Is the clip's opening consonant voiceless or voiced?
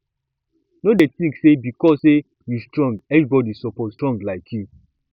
voiced